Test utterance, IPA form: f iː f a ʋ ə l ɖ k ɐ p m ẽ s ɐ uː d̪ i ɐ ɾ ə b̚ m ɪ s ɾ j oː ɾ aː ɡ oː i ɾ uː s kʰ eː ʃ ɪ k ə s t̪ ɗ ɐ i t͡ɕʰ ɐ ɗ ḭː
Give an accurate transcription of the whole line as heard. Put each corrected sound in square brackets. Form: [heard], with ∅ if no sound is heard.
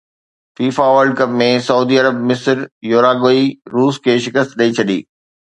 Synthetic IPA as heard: f iː f a ʋ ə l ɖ k ɐ p m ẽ s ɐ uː d̪ i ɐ ɾ ə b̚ m ɪ s ɾ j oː ɾ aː ɡ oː i ɾ uː s kʰ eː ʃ ɪ k ə s t̪ ɗ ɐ i t͡ɕʰ ɐ ɗ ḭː